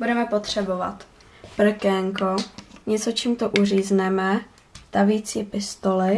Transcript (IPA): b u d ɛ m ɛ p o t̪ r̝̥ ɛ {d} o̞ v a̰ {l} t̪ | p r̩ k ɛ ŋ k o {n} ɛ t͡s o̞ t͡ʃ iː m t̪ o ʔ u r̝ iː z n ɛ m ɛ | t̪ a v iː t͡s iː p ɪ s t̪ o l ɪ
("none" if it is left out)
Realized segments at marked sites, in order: b, none, ɲ

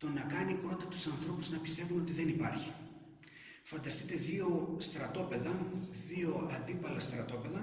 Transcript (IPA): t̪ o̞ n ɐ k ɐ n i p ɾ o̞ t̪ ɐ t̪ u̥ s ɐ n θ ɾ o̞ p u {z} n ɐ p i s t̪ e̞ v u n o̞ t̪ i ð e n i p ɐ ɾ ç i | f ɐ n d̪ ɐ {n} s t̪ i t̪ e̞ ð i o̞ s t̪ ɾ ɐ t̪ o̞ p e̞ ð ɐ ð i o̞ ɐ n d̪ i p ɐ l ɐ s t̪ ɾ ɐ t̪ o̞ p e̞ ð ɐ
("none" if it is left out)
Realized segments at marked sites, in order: z, none

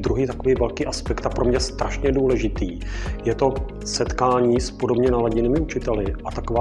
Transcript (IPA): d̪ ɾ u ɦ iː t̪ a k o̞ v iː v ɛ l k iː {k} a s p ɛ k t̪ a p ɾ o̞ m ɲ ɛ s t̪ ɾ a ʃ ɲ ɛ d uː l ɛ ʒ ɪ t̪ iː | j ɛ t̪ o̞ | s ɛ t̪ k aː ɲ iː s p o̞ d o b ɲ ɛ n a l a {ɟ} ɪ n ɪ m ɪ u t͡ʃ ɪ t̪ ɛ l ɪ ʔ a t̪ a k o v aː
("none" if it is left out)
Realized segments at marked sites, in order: ʔ, ɟ

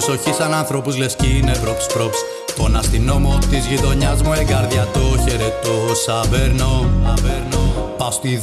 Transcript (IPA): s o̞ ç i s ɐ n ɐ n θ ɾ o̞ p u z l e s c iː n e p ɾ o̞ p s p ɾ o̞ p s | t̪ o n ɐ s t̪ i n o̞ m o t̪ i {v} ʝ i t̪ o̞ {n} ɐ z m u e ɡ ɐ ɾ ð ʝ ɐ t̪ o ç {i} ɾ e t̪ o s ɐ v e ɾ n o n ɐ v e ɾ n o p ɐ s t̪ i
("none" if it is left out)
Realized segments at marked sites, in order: z, ɲ, e

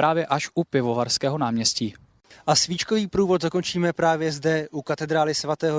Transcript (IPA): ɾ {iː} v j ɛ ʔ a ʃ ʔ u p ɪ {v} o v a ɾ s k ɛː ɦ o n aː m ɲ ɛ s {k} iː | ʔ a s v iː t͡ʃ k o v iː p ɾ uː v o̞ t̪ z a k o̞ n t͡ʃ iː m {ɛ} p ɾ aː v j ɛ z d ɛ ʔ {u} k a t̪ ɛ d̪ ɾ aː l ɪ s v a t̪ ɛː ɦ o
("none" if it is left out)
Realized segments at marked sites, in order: aː, v, c, ɛ, u

